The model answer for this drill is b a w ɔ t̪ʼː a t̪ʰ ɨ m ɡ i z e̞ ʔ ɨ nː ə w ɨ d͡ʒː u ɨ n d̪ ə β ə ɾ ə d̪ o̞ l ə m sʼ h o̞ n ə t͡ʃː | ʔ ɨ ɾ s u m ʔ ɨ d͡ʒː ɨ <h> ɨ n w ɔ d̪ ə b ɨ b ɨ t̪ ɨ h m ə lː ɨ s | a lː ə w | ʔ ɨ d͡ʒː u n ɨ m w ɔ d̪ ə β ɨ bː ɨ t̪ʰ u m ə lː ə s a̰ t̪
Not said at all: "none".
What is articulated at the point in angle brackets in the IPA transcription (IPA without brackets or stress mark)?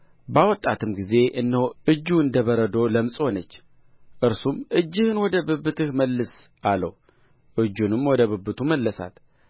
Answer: h